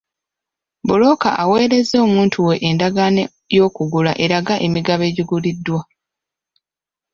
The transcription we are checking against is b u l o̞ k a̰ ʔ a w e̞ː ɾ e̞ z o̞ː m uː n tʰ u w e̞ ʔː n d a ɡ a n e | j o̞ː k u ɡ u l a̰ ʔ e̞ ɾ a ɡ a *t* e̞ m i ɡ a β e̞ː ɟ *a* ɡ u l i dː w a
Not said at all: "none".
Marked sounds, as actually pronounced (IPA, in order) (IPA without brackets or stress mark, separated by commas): ʔ, i